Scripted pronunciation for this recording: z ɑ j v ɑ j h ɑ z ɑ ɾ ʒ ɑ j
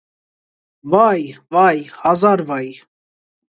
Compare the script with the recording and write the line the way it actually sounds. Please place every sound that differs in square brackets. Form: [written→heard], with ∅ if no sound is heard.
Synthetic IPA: [z→v] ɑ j v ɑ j h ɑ z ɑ ɾ [ʒ→v] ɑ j